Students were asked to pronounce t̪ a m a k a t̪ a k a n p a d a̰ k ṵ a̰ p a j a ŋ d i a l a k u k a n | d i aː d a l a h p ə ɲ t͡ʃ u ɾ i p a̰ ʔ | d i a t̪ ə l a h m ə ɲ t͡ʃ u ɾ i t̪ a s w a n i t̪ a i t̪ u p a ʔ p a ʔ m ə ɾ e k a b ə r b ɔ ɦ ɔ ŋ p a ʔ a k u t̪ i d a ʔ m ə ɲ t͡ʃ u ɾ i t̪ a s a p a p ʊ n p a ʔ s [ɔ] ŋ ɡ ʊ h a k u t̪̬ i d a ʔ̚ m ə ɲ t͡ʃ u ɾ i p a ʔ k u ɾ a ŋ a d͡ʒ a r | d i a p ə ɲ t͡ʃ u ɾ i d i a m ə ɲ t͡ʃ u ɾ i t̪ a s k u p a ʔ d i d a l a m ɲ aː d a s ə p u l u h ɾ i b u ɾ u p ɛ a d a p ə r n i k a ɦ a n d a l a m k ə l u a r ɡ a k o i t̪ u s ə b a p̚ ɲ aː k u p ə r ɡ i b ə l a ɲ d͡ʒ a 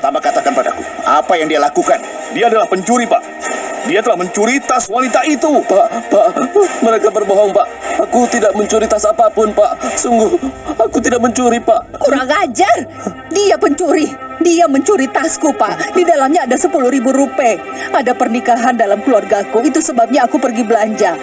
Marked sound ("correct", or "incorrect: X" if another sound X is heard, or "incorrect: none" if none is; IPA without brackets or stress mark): incorrect: u